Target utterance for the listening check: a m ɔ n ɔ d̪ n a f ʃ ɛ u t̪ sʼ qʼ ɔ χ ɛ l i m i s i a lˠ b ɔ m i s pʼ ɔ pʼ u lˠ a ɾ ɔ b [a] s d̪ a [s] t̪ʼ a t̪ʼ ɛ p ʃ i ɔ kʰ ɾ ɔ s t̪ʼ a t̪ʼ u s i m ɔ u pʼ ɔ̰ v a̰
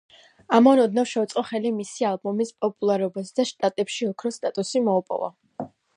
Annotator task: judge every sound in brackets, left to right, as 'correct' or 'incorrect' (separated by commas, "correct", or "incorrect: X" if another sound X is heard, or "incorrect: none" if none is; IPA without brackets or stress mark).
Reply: correct, incorrect: ʃ